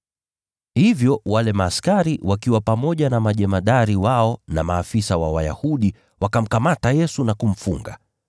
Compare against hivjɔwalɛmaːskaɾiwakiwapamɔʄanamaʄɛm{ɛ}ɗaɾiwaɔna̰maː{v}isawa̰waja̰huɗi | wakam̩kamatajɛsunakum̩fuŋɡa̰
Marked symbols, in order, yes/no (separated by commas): no, no